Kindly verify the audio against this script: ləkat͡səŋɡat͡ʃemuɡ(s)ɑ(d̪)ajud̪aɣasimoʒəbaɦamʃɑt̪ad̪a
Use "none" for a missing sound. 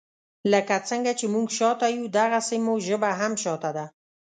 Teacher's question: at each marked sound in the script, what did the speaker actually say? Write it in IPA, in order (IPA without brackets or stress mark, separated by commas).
ʃ, t̪